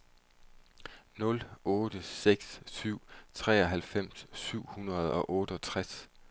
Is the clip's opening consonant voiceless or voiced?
voiced